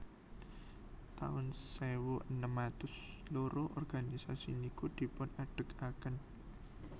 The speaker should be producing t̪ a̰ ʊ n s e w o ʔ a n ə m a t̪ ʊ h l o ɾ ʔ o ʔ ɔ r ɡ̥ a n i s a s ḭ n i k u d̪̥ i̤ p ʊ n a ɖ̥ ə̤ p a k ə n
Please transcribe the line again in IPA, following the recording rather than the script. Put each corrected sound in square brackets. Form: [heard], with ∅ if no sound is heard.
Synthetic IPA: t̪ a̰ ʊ n s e w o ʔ [ə] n ə m a t̪ ʊ [s] l o ɾ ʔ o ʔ ɔ r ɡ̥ a n i s a s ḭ n i k u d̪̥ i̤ p ʊ n a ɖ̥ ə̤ [k] a k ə n

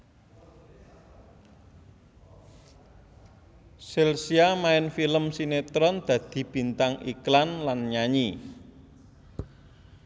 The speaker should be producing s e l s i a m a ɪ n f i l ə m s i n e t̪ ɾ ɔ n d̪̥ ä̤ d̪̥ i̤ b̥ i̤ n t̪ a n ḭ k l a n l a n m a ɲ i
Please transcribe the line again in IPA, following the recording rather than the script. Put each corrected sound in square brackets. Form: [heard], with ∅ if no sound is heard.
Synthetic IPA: s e l s i a m a ɪ n f i l ə m s i n e t̪ ɾ ɔ n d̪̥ ä̤ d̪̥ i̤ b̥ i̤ n t̪ a [ŋ] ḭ k l a n l a n [ɲ] a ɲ i

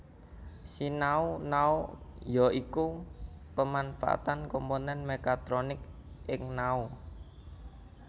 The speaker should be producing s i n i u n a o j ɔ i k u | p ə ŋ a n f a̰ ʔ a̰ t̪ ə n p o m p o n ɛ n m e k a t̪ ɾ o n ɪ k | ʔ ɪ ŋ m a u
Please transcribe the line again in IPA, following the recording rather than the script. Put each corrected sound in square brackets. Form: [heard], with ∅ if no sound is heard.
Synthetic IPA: s i n [a] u n a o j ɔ i k u | p ə [m] a n f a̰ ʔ a̰ t̪ [a] n [k] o m p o n ɛ n m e k a t̪ ɾ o n ɪ k | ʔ ɪ ŋ [n] a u

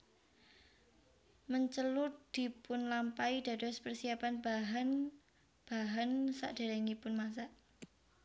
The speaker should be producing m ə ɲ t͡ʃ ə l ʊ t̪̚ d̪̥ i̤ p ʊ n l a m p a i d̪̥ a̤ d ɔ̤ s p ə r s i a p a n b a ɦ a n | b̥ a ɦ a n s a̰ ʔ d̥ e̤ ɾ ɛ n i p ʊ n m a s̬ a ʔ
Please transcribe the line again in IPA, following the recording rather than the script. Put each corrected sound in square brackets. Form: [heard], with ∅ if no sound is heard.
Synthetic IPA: m ə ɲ t͡ʃ ə l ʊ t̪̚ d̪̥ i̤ p ʊ n l a m p a i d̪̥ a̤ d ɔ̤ s p ə r s i a p a n b a ɦ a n | b̥ a ɦ a n s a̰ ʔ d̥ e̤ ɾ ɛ [ŋ] i p ʊ n m a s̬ a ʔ

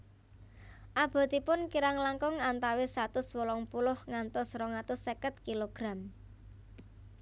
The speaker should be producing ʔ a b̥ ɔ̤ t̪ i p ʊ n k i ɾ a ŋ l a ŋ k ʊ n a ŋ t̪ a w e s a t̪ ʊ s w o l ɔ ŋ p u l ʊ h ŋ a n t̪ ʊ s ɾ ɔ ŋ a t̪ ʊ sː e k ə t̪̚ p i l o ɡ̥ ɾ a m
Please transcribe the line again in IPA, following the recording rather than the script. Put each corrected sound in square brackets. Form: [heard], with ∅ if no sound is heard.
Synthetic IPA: ʔ a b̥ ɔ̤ t̪ i p ʊ n k i ɾ a ŋ l a ŋ k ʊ [ŋ] a [n] t̪ a w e s a t̪ ʊ s w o l ɔ ŋ p u l ʊ h ŋ a n t̪ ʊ s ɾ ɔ ŋ a t̪ ʊ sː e k ə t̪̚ [k] i l o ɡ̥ ɾ a m

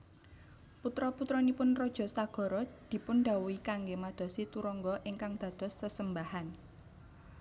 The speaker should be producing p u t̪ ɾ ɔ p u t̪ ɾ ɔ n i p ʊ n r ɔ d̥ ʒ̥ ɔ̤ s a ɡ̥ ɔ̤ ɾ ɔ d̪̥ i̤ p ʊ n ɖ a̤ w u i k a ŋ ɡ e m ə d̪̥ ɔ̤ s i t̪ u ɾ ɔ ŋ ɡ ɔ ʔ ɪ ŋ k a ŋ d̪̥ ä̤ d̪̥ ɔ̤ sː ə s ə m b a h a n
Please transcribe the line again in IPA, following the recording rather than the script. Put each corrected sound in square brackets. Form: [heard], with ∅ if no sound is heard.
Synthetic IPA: p u t̪ ɾ ɔ p u t̪ ɾ ɔ n i p ʊ n r ɔ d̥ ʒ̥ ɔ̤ s a ɡ̥ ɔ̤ ɾ ɔ d̪̥ i̤ p ʊ n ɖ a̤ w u i k a ŋ ɡ e m [a] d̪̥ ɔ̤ s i t̪ u ɾ ɔ ŋ ɡ ɔ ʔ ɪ ŋ k a ŋ d̪̥ ä̤ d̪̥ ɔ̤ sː ə s ə m b a h a n

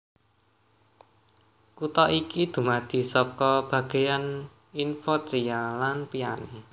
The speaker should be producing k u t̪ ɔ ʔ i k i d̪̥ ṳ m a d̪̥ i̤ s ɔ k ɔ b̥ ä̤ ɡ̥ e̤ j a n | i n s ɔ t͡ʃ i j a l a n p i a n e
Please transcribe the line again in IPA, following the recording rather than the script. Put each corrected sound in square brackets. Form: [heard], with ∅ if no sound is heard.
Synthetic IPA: k u t̪ ɔ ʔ i k i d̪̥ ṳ m a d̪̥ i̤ s ɔ k ɔ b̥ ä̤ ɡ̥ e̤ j a n | i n [f] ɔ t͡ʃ i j a l a n p i a n e

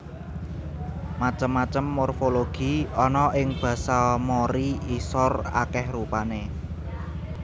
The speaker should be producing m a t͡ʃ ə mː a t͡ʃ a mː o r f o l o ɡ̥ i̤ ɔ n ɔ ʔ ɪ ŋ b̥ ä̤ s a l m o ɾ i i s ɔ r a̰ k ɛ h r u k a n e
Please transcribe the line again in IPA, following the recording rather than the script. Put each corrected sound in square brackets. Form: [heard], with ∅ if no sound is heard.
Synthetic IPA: m a t͡ʃ ə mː a t͡ʃ [ə] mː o r f o l o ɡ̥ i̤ ɔ n ɔ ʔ ɪ ŋ b̥ ä̤ s a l m o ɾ i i s ɔ r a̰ k ɛ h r u [p] a n e

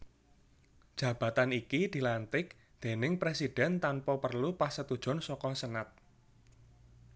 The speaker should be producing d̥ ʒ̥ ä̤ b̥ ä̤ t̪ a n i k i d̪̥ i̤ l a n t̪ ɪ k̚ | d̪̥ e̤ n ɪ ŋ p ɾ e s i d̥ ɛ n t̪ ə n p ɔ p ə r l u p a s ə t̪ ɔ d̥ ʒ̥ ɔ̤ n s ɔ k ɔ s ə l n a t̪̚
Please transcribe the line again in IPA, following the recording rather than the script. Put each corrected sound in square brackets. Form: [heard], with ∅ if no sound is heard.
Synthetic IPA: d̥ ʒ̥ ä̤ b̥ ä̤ t̪ a n i k i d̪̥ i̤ l a n t̪ ɪ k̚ | d̪̥ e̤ n ɪ ŋ p ɾ e s i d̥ ɛ n t̪ [a] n p ɔ p ə r l u p a s ə t̪ [u] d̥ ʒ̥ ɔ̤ n s ɔ k ɔ s ə [∅] n a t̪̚

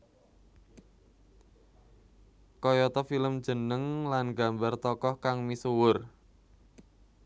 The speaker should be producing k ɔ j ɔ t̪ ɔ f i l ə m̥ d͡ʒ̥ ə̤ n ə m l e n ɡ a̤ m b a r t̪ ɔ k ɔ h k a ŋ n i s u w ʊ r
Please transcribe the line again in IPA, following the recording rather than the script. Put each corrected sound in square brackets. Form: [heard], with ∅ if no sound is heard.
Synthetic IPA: k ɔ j ɔ t̪ ɔ f i l ə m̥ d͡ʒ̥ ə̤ n ə [ŋ] l [a] n ɡ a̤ m b a r t̪ ɔ k ɔ h k a ŋ [m] i s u w ʊ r

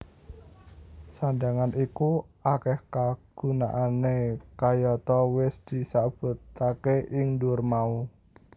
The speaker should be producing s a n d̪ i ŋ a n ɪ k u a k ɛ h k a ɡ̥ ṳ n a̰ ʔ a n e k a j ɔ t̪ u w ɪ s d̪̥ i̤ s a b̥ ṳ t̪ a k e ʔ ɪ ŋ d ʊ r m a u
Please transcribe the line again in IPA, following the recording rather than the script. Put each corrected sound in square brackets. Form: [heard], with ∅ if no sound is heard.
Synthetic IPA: s a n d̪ [a] ŋ a n [i] k u a k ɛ h k a ɡ̥ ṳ n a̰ ʔ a n e k a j ɔ t̪ [ɔ] w ɪ s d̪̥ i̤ s a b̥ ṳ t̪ a k e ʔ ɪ ŋ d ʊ r m a u

